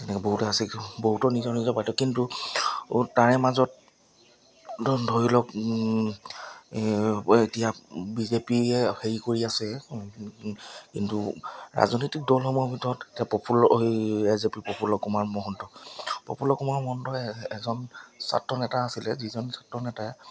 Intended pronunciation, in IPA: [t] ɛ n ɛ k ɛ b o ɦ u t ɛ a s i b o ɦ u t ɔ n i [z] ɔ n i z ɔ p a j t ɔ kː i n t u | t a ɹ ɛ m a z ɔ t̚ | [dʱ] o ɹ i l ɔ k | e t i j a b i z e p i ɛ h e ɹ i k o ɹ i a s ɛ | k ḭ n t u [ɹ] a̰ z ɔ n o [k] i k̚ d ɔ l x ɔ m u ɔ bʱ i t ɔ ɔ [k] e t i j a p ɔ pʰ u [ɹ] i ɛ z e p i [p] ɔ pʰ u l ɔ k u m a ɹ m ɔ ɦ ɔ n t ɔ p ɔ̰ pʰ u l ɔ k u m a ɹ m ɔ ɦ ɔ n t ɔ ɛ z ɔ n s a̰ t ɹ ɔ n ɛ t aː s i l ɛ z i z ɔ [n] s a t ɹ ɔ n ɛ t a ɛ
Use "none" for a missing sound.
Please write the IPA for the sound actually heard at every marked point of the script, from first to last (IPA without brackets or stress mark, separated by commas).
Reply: t, z, dʱ, ɹ, t, t, l, p, n